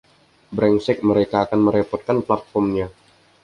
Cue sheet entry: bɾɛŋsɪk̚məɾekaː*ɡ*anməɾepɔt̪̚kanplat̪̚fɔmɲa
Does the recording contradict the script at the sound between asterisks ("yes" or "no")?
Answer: yes